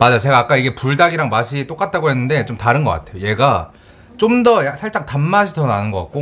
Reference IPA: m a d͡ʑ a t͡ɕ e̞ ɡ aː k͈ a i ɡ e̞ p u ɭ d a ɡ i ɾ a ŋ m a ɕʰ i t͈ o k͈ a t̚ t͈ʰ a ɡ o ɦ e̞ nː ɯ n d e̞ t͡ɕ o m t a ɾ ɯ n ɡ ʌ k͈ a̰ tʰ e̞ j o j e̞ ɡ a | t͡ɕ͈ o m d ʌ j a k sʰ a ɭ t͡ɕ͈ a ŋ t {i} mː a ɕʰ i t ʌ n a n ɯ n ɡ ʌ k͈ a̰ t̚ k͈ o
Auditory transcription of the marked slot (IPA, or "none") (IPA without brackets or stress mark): a